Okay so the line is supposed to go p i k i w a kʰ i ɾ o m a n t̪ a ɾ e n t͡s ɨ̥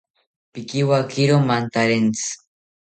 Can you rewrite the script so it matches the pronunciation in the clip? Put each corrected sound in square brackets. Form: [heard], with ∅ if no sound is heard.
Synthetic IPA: p i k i w a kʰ i ɾ o m a n t̪ a ɾ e n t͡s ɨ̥

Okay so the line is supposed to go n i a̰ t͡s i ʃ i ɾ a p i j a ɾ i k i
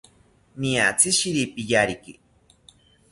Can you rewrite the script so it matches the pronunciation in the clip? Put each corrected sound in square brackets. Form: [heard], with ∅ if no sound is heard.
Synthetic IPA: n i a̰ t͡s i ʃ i ɾ [i] p i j a ɾ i k i

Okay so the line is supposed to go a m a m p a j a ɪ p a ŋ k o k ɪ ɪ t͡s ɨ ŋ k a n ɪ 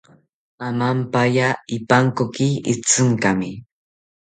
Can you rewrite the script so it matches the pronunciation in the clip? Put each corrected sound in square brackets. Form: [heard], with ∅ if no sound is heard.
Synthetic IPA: a m a m p a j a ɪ p a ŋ k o k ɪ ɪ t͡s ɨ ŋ k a [m] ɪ

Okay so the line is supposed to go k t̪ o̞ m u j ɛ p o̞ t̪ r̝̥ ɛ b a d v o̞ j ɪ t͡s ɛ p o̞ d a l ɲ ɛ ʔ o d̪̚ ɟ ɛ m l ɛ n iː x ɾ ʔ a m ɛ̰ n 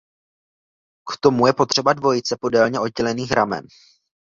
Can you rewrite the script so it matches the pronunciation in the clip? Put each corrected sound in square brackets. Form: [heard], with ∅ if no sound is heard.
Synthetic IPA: k t̪ o̞ m u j ɛ p o̞ t̪ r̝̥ ɛ b a d v o̞ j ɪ t͡s ɛ p o̞ d [ɛ] l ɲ ɛ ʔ o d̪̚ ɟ ɛ [∅] l ɛ n iː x ɾ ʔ a m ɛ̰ n

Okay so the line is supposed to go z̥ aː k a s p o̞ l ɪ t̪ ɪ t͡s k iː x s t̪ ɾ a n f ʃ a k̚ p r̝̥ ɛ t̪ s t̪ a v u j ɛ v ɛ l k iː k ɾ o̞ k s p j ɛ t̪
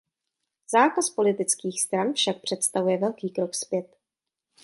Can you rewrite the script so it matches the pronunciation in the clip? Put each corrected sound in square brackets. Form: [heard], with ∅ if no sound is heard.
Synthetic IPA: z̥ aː k a s p o̞ l ɪ t̪ ɪ t͡s k iː x s t̪ ɾ a n f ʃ a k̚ p r̝̥ ɛ t̪ s t̪ a v u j ɛ v ɛ l k iː k ɾ o̞ k s p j ɛ t̪

